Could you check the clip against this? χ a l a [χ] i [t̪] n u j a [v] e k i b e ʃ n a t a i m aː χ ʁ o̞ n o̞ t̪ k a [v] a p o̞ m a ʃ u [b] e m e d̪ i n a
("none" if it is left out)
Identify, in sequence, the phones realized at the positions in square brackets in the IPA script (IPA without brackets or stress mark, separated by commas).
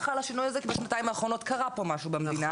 ʃ, none, z, ʁ, b